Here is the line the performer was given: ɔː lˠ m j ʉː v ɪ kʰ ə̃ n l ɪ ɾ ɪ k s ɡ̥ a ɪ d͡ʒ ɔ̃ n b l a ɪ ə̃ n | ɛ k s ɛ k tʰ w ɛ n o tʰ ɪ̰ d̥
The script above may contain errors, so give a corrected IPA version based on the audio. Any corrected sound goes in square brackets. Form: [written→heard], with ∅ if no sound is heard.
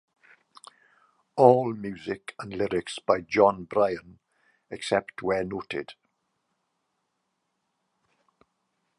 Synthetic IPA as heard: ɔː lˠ m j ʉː [v→z] ɪ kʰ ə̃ n l ɪ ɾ ɪ k s [ɡ̥→b̥] a ɪ d͡ʒ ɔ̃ n b [l→ɹ] a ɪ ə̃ n | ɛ k s ɛ [k→p] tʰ w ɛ n o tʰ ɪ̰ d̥

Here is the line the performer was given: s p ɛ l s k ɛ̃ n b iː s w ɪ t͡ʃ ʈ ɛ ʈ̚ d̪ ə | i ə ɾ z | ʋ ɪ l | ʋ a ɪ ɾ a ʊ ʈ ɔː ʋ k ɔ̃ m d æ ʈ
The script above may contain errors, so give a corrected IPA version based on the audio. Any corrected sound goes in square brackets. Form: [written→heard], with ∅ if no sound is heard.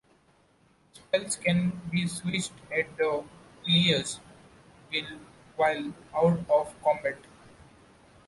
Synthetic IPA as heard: s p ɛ l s k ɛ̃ n b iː s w ɪ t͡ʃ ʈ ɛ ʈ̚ d̪ ə | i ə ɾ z | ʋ ɪ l | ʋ a ɪ [ɾ→l] a ʊ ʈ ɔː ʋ k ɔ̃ m [d→b] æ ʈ

